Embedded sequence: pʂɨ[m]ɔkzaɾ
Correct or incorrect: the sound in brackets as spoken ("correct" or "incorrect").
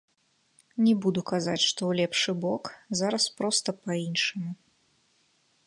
incorrect